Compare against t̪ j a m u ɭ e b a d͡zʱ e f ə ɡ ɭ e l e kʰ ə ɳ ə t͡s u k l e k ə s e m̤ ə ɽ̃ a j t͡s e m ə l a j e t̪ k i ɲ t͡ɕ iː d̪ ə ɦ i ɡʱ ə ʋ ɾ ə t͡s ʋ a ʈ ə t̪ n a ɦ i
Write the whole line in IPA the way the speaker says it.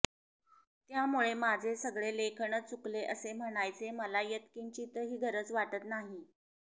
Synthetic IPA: t̪ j a m u ɭ e m a d͡zʱ e s ə ɡ ɭ e l e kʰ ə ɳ ə t͡s u k l e ʔ ə s e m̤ ə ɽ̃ a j t͡s e m ə l a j e t̪ k i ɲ t͡ɕ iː t̪ ə ɦ iː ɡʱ ə ɾ ə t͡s ʋ a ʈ ə t̪ n a ɦ i